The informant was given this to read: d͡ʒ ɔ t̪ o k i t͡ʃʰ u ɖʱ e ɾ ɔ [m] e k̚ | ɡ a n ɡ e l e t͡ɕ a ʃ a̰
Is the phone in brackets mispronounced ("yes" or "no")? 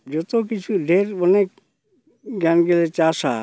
yes